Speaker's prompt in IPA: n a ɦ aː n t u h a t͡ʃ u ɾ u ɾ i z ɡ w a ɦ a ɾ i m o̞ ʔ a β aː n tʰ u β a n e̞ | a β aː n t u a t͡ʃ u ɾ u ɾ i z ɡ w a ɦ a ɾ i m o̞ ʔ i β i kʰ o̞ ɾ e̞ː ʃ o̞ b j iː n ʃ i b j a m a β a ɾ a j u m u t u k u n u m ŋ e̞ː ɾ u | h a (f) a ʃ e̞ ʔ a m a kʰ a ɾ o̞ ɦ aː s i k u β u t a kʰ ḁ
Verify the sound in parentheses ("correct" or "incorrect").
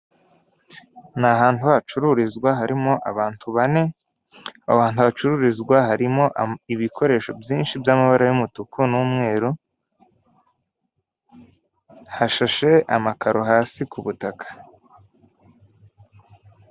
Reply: incorrect